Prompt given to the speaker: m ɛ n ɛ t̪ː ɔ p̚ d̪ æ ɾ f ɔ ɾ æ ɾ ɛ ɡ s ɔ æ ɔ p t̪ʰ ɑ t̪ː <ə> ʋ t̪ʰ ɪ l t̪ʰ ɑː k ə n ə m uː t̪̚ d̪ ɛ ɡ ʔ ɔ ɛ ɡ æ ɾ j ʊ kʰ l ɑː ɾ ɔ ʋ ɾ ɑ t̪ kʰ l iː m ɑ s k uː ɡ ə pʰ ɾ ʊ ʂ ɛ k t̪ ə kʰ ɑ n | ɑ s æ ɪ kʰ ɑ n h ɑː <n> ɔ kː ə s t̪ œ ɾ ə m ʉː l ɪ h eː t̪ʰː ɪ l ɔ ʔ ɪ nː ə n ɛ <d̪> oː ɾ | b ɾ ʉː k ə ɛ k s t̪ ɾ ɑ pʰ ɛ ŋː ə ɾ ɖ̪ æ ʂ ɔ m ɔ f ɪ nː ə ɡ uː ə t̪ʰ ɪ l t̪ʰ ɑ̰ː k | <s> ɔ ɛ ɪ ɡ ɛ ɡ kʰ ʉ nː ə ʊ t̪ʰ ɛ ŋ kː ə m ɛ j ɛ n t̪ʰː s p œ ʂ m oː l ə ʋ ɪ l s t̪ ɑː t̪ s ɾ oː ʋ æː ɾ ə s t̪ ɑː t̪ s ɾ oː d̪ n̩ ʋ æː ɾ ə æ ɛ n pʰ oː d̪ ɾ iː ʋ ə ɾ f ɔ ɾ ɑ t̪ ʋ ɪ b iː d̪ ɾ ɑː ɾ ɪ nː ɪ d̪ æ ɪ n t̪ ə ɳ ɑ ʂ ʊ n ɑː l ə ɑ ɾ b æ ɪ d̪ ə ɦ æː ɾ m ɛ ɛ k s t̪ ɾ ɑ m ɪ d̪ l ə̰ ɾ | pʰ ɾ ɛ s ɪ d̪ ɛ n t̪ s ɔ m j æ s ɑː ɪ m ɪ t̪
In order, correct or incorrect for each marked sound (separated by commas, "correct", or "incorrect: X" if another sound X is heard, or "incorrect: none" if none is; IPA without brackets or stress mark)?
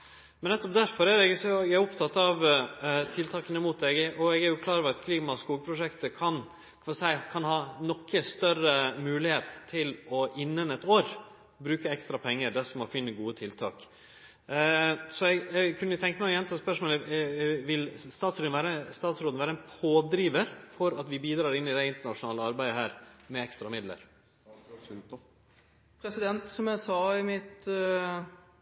incorrect: ɑ, correct, incorrect: t̪, correct